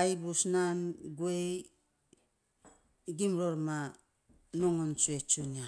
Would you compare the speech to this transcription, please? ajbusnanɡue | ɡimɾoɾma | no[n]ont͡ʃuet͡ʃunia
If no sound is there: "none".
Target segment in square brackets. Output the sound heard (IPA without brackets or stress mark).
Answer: ŋ